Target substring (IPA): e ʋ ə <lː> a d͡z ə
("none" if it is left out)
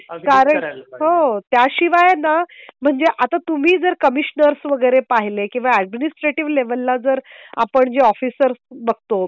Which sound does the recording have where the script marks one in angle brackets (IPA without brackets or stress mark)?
lː